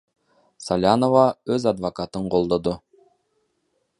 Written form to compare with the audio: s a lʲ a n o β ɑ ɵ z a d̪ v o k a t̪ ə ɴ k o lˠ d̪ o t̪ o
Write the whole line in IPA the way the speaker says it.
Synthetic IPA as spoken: s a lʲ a n o v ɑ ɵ z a d̪ v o k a t̪ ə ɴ q o lˠ d̪ o d̪ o

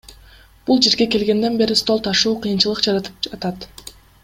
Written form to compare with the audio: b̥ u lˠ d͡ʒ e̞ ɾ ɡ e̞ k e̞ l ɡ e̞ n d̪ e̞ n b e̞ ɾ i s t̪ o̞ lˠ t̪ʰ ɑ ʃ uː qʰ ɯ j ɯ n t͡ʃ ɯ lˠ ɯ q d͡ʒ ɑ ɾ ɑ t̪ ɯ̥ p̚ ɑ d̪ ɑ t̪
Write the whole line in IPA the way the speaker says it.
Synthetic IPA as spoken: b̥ u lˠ d͡ʒ e̞ ɾ ɡ e̞ k e̞ l ɡ e̞ n d̪ e̞ n b e̞ ɾ i s t̪ o̞ lˠ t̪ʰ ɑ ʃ uː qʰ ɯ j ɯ n t͡ʃ ɯ lˠ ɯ q d͡ʒ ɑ ɾ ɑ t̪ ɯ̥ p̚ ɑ t̪ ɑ t̪

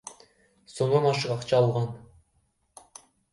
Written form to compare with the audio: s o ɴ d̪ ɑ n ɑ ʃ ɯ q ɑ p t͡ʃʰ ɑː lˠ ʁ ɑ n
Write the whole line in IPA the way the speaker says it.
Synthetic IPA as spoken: s o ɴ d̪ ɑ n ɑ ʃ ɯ q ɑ q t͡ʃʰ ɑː lˠ ʁ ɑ n

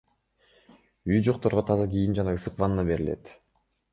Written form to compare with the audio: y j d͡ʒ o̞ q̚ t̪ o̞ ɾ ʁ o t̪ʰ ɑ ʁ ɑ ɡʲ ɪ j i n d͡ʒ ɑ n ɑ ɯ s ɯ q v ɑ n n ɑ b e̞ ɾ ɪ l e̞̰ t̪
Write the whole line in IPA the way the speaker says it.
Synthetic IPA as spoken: y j d͡ʒ o̞ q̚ t̪ o̞ ɾ ʁ o t̪ʰ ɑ z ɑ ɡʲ i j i n d͡ʒ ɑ n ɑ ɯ s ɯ q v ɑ n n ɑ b e̞ ɾ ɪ l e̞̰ t̪

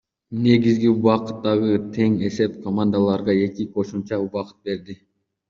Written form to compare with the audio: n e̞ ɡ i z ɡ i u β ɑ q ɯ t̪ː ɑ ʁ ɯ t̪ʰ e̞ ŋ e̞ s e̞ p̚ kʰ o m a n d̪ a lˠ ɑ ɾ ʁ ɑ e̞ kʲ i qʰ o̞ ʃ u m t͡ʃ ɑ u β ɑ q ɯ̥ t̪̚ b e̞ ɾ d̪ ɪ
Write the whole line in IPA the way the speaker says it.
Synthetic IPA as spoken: n e̞ ɡ i z ɡ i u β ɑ q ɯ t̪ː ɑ ʁ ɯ t̪ʰ e̞ ŋ e̞ s e̞ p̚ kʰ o m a n d̪ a lˠ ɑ ɾ ʁ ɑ e̞ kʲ i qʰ o̞ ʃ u m t͡ʃ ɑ u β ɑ q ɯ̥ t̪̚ b e̞ ɾ d̪ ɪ

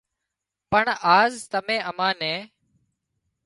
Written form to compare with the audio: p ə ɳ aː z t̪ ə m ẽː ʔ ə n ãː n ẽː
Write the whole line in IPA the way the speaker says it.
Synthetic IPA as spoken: p ə ɳ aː z t̪ ə m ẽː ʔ ə m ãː n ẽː

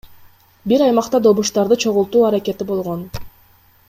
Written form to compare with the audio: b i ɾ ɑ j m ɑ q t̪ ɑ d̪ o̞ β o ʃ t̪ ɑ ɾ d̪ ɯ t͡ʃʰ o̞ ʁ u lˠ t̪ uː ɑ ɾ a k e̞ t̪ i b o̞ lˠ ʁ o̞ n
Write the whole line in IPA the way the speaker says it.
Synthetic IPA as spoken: b i ɾ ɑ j m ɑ q t̪ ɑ d̪ o̞ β u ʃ t̪ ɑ ɾ d̪ ɯ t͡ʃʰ o̞ ʁ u lˠ t̪ uː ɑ ɾ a k e̞ t̪ i b o̞ lˠ ʁ o̞ n

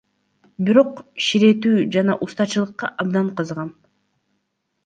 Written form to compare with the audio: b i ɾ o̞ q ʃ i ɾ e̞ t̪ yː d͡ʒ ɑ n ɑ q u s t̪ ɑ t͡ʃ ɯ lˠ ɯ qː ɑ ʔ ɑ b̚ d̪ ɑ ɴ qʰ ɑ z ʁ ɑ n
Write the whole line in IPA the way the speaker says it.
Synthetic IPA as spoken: b i ɾ o̞ q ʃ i ɾ e̞ t̪ yː d͡ʒ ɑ n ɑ ʔ u s t̪ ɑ t͡ʃ ɯ lˠ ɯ qː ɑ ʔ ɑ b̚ d̪ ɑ ɴ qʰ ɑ z ʁ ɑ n

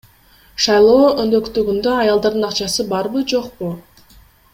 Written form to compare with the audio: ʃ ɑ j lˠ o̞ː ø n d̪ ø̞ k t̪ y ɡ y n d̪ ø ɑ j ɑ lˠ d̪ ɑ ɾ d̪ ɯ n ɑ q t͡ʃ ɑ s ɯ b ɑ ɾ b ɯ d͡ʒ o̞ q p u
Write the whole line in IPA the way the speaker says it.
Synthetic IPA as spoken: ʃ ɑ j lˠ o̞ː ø n d̪ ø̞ k t̪ y ɡ y n d̪ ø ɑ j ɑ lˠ d̪ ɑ ɾ d̪ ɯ n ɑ q t͡ʃ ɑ s ɯ b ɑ ɾ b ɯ d͡ʒ o̞ q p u

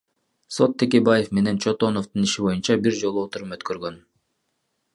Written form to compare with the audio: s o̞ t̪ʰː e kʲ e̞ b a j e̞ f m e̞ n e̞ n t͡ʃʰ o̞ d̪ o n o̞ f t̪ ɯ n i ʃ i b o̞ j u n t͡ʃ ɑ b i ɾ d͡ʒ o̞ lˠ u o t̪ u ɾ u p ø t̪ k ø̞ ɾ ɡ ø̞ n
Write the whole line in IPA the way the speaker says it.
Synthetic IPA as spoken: s o̞ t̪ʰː e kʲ e̞ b a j e̞ f m e̞ n e̞ n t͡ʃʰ o̞ t̪ o n o̞ f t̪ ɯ n i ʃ i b o̞ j u n t͡ʃ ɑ b i ɾ d͡ʒ o̞ lˠ u o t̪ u ɾ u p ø t̪ k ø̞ ɾ ɡ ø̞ n

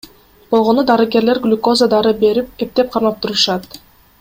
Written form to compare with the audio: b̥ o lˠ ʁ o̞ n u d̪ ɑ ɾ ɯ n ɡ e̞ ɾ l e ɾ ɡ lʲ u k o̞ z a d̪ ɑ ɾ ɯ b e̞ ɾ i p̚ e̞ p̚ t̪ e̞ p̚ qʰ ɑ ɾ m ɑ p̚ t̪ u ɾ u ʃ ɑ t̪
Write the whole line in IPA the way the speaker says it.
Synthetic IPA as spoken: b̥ o lˠ ʁ o̞ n u d̪ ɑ ɾ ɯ ɡ e̞ ɾ l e ɾ ɡ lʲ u k o̞ z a d̪ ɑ ɾ ɯ b e̞ ɾ i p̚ e̞ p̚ t̪ e̞ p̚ qʰ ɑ ɾ m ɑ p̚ t̪ u ɾ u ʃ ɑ t̪

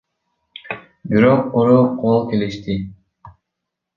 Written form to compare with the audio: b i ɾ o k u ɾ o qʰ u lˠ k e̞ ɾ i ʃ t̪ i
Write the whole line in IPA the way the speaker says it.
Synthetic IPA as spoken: b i ɾ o q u ɾ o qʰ o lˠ k e̞ l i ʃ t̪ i

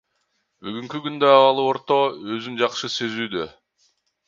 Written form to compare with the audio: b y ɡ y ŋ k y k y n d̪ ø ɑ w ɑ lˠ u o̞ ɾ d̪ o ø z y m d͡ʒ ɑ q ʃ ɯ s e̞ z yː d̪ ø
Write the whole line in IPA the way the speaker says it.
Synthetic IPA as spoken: b y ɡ y ŋ k y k y n d̪ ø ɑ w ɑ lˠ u o̞ ɾ t̪ o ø z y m d͡ʒ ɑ q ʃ ɯ s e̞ z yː d̪ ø

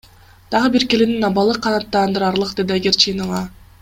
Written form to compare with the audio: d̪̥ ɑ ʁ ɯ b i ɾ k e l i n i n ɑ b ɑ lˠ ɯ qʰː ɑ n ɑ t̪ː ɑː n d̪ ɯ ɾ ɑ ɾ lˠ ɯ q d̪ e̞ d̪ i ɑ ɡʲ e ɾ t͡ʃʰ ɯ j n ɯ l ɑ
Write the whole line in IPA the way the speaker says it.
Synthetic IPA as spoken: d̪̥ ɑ ʁ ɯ b i ɾ k e l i n i n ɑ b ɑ lˠ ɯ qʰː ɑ n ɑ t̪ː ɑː n d̪ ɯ ɾ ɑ ɾ lˠ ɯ q d̪ e̞ d̪ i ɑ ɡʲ e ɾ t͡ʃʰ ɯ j n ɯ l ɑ

